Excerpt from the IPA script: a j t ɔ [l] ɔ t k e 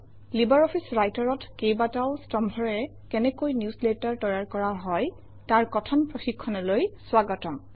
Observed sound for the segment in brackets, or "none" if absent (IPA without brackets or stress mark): ɹ